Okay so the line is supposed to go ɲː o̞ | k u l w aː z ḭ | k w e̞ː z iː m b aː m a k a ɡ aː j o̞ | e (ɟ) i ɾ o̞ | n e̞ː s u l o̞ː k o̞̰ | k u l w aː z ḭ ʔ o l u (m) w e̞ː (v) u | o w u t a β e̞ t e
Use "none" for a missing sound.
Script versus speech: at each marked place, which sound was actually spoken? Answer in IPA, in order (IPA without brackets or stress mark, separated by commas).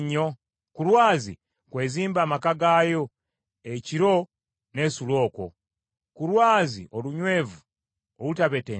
c, ɲ, v